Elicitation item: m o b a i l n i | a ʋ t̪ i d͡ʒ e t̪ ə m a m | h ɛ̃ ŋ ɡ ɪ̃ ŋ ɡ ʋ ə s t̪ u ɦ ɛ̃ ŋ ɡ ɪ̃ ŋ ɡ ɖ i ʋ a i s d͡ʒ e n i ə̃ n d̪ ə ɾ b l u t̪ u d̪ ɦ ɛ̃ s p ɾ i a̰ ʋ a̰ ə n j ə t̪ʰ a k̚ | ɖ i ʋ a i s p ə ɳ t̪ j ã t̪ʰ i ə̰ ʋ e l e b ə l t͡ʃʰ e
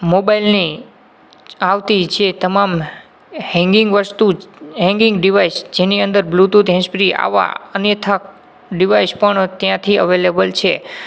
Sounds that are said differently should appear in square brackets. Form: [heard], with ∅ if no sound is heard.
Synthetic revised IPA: m o b a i l n i | a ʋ t̪ i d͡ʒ e t̪ ə m a m | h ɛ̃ ŋ ɡ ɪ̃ ŋ ɡ ʋ ə s t̪ u ɦ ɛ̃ ŋ ɡ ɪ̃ ŋ ɡ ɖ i ʋ a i s d͡ʒ e n i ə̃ n d̪ ə ɾ b l u t̪ u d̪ ɦ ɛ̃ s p ɾ i a̰ ʋ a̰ ə n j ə t̪ʰ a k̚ | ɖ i ʋ a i s p ə ɳ t̪ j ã t̪ʰ i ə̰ ʋ e l e b ə l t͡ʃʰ e